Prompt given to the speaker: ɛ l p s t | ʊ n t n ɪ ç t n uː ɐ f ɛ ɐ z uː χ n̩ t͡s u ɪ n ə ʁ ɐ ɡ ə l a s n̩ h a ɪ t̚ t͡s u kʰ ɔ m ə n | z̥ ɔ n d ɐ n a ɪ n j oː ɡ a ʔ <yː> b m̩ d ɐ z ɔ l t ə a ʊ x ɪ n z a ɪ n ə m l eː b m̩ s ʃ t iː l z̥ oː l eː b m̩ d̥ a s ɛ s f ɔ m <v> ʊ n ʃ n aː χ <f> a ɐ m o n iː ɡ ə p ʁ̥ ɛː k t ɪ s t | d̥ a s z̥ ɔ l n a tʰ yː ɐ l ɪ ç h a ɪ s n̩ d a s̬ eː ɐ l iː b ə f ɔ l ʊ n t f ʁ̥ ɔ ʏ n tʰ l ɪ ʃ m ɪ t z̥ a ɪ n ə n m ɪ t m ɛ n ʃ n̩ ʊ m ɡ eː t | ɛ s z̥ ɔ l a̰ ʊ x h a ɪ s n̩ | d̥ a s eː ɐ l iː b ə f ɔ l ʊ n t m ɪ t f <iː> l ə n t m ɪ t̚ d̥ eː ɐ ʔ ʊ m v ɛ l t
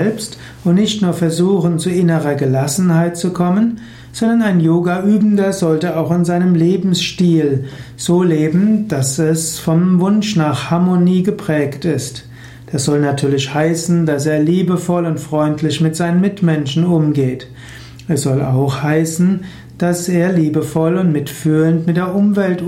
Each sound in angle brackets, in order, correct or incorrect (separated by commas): correct, correct, incorrect, incorrect